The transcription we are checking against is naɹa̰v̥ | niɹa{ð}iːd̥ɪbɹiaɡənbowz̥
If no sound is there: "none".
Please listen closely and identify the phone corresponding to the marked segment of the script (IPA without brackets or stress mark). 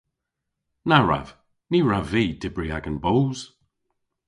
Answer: v